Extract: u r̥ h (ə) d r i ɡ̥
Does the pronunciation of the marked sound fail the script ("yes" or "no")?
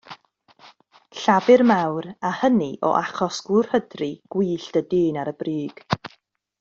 no